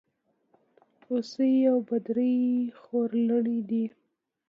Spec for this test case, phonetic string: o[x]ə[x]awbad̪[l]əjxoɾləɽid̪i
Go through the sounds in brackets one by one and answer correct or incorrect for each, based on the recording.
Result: incorrect, incorrect, incorrect

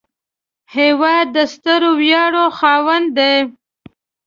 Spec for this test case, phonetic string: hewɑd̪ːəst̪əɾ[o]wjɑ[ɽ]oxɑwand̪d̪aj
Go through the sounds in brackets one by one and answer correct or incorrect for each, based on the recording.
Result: correct, correct

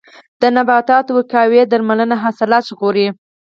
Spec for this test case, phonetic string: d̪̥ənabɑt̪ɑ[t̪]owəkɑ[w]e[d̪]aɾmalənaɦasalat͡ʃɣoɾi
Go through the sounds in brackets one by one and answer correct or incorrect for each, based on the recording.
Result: correct, correct, correct

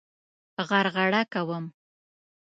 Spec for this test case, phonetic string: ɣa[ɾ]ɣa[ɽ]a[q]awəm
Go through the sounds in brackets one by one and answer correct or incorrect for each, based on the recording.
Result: correct, correct, incorrect

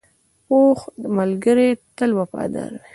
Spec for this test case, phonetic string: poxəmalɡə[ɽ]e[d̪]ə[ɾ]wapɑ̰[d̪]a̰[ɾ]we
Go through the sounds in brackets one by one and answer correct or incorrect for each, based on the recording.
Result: incorrect, incorrect, incorrect, correct, correct

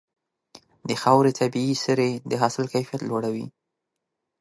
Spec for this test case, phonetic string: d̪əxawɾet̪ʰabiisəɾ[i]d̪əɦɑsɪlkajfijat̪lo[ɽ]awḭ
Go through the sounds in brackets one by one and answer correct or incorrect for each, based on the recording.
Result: incorrect, correct

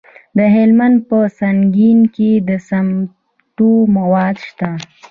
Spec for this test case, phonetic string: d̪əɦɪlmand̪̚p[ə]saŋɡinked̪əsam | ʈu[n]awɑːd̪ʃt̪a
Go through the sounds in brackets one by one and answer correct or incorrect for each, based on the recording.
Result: correct, incorrect

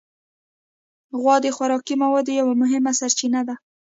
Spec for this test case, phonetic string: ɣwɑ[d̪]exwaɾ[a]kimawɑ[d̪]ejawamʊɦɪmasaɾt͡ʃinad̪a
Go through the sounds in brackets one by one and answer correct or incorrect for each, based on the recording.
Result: correct, incorrect, correct

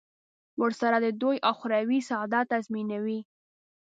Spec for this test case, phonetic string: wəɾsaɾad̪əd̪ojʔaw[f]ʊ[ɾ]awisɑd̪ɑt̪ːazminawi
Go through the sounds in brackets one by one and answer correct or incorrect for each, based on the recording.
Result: incorrect, correct

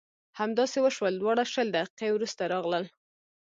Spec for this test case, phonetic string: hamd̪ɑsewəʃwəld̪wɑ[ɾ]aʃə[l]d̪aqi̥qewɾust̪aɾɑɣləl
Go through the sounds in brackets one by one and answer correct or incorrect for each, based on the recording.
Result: incorrect, correct

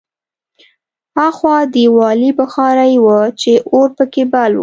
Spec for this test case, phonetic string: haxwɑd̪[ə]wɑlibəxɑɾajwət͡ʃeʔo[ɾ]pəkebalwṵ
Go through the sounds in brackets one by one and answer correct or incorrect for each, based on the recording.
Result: correct, correct

